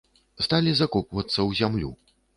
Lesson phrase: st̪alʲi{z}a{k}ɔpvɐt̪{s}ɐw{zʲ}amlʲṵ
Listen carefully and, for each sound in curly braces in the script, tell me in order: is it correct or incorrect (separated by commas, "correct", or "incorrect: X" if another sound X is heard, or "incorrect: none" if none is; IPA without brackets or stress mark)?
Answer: correct, correct, incorrect: sː, correct